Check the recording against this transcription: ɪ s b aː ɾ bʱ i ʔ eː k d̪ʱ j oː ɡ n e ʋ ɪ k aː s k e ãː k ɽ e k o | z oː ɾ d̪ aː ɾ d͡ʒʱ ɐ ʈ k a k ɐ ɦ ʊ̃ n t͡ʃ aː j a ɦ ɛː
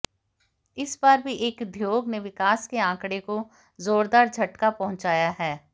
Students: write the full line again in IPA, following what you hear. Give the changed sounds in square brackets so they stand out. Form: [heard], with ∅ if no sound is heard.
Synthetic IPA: ɪ s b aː ɾ bʱ i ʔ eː k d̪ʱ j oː ɡ n e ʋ ɪ k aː s k e ãː k ɽ e k o | z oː ɾ d̪ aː ɾ d͡ʒʱ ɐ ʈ k a [p] ɐ ɦ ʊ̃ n t͡ʃ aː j a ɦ ɛː